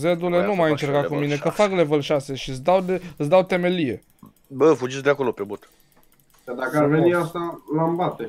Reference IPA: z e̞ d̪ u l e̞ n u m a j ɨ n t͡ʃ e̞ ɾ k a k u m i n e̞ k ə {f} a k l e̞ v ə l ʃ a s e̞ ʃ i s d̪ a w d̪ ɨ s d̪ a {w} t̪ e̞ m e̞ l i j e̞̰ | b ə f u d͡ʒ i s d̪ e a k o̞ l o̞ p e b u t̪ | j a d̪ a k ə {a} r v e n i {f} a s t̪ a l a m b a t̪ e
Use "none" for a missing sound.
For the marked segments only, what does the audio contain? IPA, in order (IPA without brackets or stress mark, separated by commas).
f, w, a, none